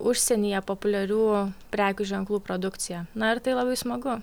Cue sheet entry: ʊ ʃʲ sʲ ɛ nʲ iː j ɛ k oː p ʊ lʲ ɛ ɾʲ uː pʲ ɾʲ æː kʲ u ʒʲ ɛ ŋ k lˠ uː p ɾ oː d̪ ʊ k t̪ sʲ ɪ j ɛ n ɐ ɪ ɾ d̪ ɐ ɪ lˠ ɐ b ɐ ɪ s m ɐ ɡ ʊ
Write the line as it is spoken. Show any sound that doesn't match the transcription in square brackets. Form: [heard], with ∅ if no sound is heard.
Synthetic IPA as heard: ʊ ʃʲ sʲ ɛ nʲ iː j ɛ [p] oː p ʊ lʲ ɛ ɾʲ uː pʲ ɾʲ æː kʲ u ʒʲ ɛ ŋ k lˠ uː p ɾ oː d̪ ʊ k t̪ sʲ ɪ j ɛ n ɐ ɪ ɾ [t̪] ɐ ɪ lˠ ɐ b ɐ ɪ s m ɐ ɡ ʊ